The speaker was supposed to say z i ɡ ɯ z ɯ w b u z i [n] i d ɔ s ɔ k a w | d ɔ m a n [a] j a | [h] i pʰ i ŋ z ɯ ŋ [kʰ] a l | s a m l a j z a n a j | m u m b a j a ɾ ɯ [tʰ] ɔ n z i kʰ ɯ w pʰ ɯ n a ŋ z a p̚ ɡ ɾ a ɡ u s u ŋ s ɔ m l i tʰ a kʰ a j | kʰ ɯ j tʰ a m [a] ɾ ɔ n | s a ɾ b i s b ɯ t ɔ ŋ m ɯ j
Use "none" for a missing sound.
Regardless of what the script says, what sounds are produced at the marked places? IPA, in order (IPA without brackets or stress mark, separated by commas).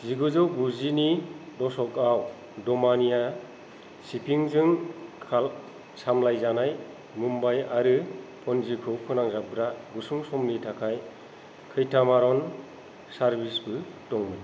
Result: n, i, s, kʰ, pʰ, a